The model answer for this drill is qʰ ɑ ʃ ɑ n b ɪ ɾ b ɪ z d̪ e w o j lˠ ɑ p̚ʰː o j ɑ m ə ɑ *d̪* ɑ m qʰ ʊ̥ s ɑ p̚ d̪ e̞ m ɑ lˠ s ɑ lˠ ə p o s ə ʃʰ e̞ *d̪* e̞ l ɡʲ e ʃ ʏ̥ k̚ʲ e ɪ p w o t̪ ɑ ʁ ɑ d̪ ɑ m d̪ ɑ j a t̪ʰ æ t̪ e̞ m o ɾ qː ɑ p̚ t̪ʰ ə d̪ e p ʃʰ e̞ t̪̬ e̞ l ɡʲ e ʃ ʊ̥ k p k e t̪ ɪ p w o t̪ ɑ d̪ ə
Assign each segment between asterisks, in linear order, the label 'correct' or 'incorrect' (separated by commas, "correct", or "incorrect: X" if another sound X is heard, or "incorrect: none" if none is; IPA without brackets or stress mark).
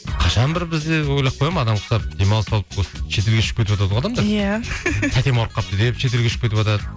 correct, incorrect: t̪